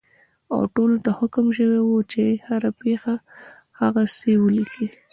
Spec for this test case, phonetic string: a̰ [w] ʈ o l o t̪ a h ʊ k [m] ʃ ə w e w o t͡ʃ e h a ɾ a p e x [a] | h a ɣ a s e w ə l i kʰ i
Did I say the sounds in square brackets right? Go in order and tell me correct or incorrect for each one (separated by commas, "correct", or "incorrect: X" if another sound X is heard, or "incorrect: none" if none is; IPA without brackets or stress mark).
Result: correct, correct, correct